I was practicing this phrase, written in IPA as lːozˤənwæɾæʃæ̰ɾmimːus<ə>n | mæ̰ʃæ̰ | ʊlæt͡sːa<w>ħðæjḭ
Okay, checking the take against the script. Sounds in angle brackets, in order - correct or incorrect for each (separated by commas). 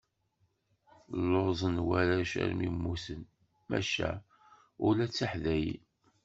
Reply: correct, incorrect